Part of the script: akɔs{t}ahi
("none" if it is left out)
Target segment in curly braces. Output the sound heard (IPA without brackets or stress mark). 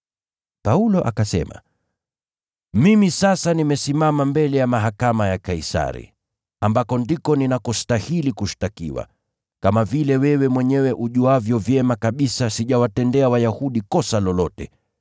t